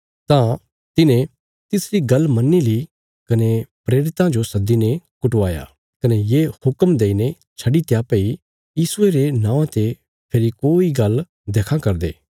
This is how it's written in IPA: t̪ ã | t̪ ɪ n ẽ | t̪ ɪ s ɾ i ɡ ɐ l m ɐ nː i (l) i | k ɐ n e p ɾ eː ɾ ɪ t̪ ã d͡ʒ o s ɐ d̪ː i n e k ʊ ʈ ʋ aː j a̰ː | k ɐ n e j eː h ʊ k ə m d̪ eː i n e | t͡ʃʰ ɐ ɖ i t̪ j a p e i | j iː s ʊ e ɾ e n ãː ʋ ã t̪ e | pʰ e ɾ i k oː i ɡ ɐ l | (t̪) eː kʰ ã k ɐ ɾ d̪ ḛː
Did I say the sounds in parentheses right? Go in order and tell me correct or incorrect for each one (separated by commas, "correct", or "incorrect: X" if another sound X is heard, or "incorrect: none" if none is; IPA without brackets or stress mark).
correct, incorrect: d̪